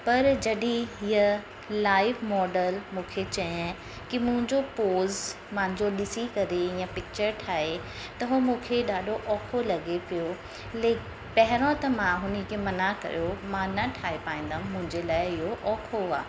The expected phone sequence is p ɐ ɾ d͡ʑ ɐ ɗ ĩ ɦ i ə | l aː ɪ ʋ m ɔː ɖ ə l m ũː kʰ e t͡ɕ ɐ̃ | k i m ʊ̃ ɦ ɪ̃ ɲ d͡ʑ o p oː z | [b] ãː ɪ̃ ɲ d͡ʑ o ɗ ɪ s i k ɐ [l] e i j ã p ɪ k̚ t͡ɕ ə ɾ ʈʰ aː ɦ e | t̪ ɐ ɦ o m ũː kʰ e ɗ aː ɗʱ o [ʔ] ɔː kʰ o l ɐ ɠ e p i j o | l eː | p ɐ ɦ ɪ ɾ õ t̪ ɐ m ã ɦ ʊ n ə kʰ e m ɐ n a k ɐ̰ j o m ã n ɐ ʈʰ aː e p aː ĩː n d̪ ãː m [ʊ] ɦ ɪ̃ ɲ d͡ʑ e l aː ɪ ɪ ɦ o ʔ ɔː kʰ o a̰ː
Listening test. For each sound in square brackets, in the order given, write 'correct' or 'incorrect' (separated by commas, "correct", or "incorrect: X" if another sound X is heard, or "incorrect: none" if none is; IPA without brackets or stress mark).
incorrect: m, incorrect: ɾ, correct, incorrect: ʊ̃